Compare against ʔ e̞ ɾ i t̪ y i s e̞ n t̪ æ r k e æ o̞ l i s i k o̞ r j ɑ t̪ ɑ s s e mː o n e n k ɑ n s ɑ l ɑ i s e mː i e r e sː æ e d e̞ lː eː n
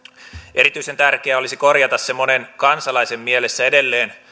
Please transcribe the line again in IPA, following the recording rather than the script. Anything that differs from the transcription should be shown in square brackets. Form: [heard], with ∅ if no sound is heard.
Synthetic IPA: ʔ e̞ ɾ i t̪ y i s e̞ n t̪ æ r k e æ o̞ l i s i k o̞ r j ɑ t̪ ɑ s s e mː o n e n k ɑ n s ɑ l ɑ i s e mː i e [l] e sː æ e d e̞ lː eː n